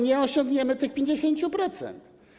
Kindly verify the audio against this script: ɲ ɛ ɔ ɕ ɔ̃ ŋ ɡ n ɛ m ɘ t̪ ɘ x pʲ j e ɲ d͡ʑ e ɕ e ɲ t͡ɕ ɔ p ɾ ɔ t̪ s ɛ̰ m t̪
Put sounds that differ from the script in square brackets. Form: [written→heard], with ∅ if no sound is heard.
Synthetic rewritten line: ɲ ɛ ɔ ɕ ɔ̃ ŋ ɡ [n→ɲ] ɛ m ɘ t̪ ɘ x pʲ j e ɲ d͡ʑ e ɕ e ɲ t͡ɕ [ɔ→u] p ɾ ɔ t̪ s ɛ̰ [m→n] t̪